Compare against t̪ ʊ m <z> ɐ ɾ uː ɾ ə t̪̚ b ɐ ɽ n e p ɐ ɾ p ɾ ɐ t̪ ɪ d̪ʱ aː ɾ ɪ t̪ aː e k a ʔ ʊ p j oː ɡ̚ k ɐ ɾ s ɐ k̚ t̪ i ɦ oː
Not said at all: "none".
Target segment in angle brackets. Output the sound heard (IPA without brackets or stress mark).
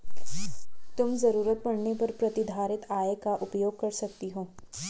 z